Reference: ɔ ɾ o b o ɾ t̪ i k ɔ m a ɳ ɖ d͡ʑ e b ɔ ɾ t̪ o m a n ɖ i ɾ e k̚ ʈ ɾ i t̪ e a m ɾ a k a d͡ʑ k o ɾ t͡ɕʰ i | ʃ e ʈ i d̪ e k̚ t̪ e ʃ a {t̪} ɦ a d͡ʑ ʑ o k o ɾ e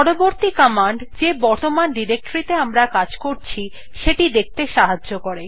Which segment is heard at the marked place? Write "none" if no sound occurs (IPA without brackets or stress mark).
none